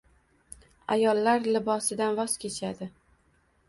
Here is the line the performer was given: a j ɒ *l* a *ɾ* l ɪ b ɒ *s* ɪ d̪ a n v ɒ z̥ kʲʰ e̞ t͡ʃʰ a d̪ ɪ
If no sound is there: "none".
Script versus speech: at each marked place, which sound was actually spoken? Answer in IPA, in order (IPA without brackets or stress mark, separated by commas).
lː, ɾ, s